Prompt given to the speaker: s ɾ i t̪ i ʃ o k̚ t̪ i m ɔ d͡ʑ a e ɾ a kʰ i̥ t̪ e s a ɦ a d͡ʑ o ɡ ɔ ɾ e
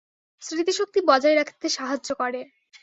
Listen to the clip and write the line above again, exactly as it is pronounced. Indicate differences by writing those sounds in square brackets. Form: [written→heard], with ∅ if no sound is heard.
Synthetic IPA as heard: s ɾ i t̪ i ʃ o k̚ t̪ i [m→b] ɔ d͡ʑ a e ɾ a kʰ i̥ t̪ e [s→ʃ] a ɦ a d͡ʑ o [ɡ→k] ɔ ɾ e